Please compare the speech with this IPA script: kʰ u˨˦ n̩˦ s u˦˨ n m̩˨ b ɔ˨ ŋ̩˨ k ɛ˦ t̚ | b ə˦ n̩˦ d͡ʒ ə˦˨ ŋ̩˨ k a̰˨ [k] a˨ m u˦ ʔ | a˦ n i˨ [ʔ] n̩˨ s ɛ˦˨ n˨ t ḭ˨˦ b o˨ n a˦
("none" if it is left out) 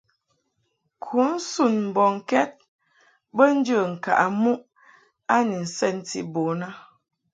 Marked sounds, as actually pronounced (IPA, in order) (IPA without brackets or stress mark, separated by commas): ʔ, none